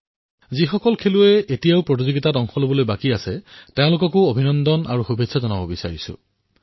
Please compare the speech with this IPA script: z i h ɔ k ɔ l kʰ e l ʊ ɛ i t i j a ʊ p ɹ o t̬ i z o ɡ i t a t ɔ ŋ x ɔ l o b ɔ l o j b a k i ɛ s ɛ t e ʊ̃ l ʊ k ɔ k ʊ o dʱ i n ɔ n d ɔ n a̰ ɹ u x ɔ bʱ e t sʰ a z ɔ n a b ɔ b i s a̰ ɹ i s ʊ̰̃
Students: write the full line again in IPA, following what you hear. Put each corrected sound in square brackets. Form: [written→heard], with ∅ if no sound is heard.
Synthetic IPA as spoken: z i [h→x] ɔ k ɔ l kʰ e l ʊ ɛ [i→e] t i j a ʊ p ɹ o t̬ i z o ɡ i t a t ɔ ŋ x ɔ l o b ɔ l o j b a k i [ɛ→a] s ɛ t e ʊ̃ l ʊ k ɔ k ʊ o [dʱ→bʱ] i n ɔ n d ɔ n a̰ ɹ u x [ɔ→u] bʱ e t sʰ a z ɔ n a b ɔ b i s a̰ ɹ i s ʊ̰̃